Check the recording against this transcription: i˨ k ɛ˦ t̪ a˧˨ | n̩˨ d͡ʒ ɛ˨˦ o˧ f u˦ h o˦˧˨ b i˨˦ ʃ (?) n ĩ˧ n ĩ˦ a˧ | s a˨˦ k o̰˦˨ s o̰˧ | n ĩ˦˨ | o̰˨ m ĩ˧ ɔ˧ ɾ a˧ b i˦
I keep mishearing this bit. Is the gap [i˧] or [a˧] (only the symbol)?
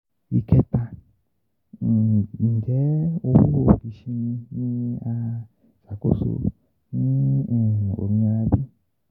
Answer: i˧